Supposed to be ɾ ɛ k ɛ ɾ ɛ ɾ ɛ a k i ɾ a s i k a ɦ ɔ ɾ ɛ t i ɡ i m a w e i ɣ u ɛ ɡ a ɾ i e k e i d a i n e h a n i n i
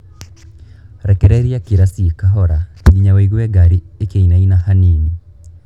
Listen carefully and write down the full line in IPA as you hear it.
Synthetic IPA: ɾ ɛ k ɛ ɾ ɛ ɾ i a k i ɾ a s i k a ɦ ɔ ɾ a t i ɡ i ɲ a w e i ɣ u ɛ ɡ a ɾ i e k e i n a i n a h a n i n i